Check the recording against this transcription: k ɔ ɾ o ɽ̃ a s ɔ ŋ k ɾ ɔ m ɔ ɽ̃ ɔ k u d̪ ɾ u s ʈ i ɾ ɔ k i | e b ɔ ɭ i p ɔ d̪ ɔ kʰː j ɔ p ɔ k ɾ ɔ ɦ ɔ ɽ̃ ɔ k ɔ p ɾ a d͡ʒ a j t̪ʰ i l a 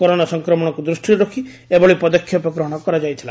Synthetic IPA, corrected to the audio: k ɔ ɾ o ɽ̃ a s ɔ ŋ k ɾ ɔ m ɔ ɽ̃ ɔ k u d̪ ɾ u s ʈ i ɾ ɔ kʰ i | e b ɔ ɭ i p ɔ d̪ ɔ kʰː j ɔ p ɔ k ɾ ɔ ɦ ɔ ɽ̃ ɔ k ɔ ɾ a d͡ʒ a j t̪ʰ i l a